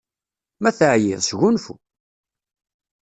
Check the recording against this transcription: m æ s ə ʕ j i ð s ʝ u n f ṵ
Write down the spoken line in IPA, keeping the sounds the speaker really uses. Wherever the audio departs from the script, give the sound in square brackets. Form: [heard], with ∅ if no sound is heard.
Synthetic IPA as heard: m æ [θ] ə ʕ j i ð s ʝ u n f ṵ